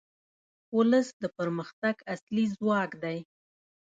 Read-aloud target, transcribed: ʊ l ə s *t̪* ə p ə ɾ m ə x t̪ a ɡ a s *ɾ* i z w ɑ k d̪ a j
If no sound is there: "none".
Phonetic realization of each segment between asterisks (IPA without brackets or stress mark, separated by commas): d̪, l